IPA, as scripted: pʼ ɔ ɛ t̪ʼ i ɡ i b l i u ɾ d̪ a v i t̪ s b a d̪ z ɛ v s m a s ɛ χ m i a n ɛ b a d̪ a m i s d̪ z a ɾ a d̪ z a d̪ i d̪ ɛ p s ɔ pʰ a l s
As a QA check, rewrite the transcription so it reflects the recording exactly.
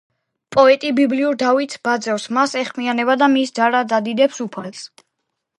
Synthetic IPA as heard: pʼ ɔ ɛ t̪ʼ i b i b l i u ɾ d̪ a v i t̪ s b a d̪ z ɛ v s m a s ɛ χ m i a n ɛ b a d̪ a m i s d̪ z a ɾ a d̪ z a d̪ i d̪ ɛ p s u pʰ a l s

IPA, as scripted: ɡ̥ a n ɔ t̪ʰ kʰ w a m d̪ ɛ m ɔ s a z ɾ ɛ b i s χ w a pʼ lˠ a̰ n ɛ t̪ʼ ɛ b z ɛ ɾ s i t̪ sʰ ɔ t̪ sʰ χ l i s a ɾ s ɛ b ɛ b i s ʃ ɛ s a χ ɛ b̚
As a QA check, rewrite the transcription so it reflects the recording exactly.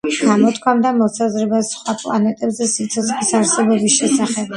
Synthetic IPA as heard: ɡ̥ a m ɔ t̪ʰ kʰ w a m d̪ a m ɔ s a z ɾ ɛ b a s χ w a pʼ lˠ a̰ n ɛ t̪ʼ ɛ b z ɛ s i t̪ sʰ ɔ t̪ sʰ χ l i s a ɾ s ɛ b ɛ b i s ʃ ɛ s a χ ɛ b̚

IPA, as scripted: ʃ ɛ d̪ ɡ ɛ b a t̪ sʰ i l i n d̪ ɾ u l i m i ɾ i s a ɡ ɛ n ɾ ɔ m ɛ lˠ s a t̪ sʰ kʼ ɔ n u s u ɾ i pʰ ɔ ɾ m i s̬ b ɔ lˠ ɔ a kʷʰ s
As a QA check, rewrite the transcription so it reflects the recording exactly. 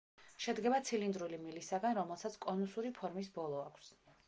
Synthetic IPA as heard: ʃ ɛ d̪ ɡ ɛ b a t̪ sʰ i l i n d̪ ɾ u l i m i l i s a ɡ a n ɾ ɔ m ɛ lˠ s a t̪ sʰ kʼ ɔ n u s u ɾ i pʰ ɔ ɾ m i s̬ b ɔ lˠ ɔ a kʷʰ s

